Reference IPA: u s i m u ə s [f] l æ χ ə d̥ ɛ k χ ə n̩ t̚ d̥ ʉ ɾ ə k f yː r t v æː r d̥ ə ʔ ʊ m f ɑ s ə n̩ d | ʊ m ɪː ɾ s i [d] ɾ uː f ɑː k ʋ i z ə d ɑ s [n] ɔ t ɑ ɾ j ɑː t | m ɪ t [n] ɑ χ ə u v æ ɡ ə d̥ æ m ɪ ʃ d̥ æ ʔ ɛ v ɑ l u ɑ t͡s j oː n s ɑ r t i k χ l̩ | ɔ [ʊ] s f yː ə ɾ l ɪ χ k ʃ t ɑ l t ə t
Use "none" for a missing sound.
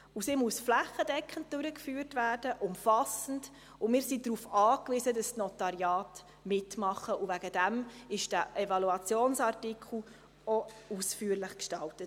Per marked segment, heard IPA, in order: f, d, n, m, u

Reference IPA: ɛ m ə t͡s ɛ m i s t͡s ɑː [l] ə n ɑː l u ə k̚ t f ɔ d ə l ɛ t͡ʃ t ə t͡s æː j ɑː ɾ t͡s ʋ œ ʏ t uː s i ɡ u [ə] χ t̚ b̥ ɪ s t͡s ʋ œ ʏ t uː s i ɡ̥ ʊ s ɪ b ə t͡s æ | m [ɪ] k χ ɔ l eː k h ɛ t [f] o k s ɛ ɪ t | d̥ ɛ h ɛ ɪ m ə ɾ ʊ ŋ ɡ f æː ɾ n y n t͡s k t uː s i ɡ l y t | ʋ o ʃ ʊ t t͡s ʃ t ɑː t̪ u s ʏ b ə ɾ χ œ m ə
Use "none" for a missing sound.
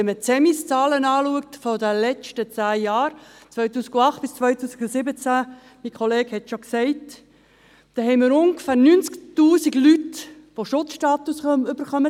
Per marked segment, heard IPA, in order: l, ɑ, i, ʃ

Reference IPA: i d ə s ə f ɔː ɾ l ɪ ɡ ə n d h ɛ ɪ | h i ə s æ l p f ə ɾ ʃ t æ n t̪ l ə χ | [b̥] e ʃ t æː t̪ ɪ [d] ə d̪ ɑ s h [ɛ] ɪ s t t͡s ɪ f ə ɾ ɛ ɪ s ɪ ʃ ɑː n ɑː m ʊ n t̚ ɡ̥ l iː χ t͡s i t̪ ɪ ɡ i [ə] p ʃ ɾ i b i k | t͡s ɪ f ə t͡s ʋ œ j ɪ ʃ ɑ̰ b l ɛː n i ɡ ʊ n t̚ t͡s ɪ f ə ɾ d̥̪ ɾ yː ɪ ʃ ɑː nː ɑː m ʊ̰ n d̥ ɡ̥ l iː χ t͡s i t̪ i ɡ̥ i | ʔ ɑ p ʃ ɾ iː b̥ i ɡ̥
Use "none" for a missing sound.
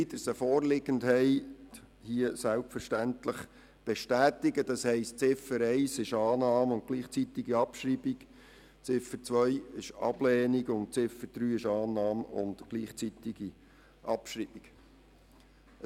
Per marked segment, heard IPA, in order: b̥, ɡ, ɛ, ɑ

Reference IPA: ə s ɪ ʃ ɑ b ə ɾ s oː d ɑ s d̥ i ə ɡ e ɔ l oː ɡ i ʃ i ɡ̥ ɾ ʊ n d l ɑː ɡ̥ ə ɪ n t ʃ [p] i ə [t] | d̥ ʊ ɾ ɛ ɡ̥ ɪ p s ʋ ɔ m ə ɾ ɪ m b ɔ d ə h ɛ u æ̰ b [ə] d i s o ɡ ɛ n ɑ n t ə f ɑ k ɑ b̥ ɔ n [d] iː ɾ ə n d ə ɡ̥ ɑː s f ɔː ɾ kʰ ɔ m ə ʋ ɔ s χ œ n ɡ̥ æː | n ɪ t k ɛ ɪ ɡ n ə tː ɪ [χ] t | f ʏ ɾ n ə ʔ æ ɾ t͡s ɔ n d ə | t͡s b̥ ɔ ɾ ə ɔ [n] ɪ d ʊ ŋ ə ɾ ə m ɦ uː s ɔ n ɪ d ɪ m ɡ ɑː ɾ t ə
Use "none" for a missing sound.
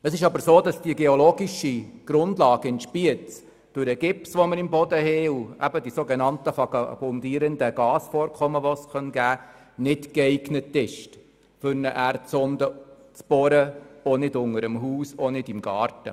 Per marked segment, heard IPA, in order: p, t͡s, ə, d, ʃ, n

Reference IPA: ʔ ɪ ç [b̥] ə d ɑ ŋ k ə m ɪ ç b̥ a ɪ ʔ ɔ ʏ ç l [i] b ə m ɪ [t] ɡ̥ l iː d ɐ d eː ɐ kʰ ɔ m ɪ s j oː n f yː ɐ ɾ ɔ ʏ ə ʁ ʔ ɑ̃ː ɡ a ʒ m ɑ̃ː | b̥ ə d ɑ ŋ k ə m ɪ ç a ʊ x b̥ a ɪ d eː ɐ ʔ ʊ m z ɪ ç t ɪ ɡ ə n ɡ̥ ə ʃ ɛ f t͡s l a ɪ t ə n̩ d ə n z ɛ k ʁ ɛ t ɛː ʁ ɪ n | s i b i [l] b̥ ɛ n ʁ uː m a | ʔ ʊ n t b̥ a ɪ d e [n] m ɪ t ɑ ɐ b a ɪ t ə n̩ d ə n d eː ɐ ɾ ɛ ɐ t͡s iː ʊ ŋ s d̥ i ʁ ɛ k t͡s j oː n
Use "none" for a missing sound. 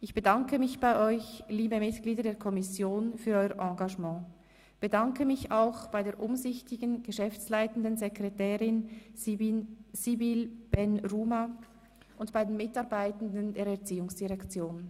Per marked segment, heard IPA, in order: b̥, iː, t, l, n

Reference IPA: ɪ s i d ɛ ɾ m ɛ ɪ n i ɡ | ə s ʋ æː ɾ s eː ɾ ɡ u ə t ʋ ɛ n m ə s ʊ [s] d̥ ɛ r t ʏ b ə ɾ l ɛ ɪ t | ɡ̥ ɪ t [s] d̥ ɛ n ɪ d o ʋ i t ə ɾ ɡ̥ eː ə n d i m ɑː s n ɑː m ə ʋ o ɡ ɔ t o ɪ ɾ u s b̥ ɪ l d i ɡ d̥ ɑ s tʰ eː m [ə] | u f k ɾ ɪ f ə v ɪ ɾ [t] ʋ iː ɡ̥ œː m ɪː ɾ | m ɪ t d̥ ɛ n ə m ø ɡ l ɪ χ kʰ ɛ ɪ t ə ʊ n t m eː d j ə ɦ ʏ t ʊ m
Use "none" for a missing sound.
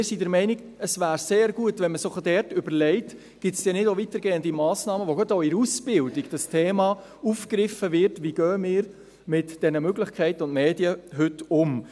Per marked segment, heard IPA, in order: χ, s, ɑ, t

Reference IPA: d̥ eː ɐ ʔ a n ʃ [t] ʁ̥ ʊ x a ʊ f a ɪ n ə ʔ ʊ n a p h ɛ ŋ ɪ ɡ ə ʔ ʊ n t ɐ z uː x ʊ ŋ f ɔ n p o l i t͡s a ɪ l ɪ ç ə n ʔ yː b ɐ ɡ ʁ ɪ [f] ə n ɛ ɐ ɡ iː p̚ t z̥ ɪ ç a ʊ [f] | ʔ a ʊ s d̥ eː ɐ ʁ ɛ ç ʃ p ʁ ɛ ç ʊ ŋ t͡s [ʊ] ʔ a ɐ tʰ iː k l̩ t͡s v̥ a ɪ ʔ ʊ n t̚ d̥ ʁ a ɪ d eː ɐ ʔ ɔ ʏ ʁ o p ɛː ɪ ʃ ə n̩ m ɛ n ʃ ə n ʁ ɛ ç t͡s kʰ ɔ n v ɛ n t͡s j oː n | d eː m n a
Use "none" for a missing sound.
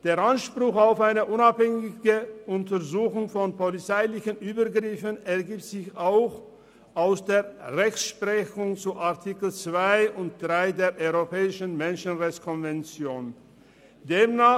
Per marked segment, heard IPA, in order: p, f, x, u

